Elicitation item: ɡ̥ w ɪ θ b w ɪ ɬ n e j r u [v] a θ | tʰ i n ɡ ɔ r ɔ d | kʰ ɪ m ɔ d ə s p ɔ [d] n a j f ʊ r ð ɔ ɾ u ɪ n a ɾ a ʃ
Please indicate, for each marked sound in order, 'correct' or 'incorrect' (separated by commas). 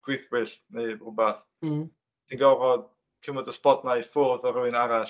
incorrect, correct